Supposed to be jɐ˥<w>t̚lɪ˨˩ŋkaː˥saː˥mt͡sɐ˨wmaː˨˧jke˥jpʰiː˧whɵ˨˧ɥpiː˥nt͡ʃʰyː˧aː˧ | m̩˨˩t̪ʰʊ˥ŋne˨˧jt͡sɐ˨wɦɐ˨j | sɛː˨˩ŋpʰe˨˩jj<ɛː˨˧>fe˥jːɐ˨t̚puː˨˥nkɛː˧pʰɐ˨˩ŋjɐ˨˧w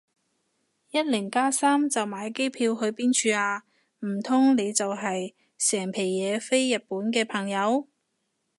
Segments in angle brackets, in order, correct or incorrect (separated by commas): incorrect, correct